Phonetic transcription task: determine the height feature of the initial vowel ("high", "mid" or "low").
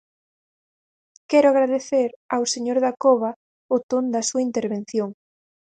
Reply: mid